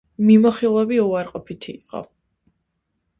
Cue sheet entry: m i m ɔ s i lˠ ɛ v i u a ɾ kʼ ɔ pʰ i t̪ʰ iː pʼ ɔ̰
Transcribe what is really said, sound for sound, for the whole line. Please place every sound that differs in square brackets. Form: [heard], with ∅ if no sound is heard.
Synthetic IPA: m i m ɔ [χ] i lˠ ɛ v i u a ɾ [qʼ] ɔ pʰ i t̪ʰ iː [qʼ] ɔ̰